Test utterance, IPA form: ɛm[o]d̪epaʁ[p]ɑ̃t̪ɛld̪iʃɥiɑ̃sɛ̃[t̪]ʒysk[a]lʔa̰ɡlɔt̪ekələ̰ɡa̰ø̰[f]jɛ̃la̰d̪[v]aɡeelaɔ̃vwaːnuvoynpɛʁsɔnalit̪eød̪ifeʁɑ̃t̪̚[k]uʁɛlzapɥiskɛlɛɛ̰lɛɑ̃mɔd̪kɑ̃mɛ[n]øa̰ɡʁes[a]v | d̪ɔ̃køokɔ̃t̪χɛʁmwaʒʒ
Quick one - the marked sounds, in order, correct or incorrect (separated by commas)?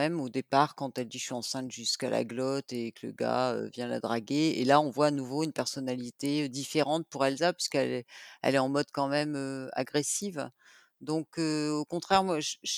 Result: correct, incorrect, correct, correct, incorrect, incorrect, incorrect, incorrect, incorrect